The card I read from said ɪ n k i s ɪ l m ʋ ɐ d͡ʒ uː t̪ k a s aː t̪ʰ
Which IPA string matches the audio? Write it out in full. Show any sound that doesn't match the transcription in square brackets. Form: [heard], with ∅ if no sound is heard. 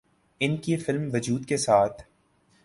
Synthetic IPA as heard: ɪ n k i [f] ɪ l m ʋ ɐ d͡ʒ uː [d̪] k [e] s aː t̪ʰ